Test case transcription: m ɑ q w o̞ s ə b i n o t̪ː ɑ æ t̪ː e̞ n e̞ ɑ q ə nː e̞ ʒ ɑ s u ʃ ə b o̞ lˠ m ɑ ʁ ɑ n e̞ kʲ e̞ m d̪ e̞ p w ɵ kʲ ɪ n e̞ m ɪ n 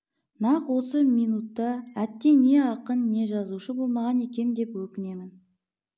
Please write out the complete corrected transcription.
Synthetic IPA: n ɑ q w o̞ s ə m i n u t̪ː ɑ æ t̪ː e̞ n e̞ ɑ q ə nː e̞ ʒ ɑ z u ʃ ə b o̞ lˠ m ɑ ʁ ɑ n e̞ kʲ e̞ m d̪ e̞ p w ɵ kʲ ɪ n e̞ m ɪ n

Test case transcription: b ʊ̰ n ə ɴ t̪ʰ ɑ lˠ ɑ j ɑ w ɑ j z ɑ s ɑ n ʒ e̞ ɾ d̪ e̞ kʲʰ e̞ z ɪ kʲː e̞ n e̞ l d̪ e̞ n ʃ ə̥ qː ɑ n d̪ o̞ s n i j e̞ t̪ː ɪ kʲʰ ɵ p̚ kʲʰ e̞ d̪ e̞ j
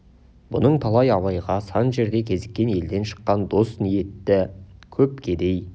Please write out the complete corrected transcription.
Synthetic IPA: b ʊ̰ n ə ɴ t̪ʰ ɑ lˠ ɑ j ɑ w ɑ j ʁ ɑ s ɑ n ʒ e̞ ɾ d̪ e̞ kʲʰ e̞ z ɪ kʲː e̞ n e̞ l d̪ e̞ n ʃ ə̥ qː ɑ n d̪ o̞ s n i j e̞ t̪ː ɪ kʲʰ ɵ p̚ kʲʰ e̞ d̪ e̞ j

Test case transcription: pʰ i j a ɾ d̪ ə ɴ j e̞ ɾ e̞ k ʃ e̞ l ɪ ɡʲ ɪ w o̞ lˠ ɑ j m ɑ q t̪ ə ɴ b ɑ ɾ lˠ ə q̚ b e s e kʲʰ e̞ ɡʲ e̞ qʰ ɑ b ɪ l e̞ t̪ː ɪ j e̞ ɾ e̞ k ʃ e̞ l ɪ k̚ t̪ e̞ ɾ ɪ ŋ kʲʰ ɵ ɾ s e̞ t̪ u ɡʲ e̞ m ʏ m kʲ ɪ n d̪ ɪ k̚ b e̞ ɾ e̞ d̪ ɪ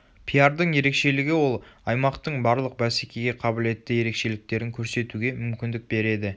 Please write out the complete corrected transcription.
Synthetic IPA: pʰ i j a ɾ d̪ ə ɴ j e̞ ɾ e̞ k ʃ e̞ l ɪ ɡʲ ɪ w o̞ lˠ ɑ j m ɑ q t̪ ə ɴ b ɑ ɾ lˠ ə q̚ b æ s e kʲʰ e̞ ɡʲ e̞ qʰ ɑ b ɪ l e̞ t̪ː ɪ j e̞ ɾ e̞ k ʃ e̞ l ɪ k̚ t̪ e̞ ɾ ɪ ŋ kʲʰ ɵ ɾ s e̞ t̪ u ɡʲ e̞ m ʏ m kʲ ɪ n d̪ ɪ k̚ b e̞ ɾ e̞ d̪ ɪ

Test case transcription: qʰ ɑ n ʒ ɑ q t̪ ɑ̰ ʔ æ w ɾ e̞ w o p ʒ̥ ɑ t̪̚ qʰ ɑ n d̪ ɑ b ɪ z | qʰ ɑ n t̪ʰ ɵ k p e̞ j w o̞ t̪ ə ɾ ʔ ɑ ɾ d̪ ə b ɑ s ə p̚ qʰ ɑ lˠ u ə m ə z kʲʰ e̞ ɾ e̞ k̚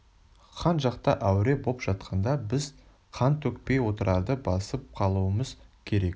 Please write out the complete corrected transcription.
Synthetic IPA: qʰ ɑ n ʒ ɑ q t̪ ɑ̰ ʔ æ w ɾ e̞ b o p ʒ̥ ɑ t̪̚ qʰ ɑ n d̪ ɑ b ɪ z | qʰ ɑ n t̪ʰ ɵ k p e̞ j w o̞ t̪ ə ɾ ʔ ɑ ɾ d̪ ə b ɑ s ə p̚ qʰ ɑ lˠ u ə m ə z kʲʰ e̞ ɾ e̞ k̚

